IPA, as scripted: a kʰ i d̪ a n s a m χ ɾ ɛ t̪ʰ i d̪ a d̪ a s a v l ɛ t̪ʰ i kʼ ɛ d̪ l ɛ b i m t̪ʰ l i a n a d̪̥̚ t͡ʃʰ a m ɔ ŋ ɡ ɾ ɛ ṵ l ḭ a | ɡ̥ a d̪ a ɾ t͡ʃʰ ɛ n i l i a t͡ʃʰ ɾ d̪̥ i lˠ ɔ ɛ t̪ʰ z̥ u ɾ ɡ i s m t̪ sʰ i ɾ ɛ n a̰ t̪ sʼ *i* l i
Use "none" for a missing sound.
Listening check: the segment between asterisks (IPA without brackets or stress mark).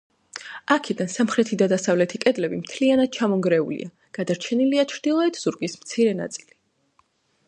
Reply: i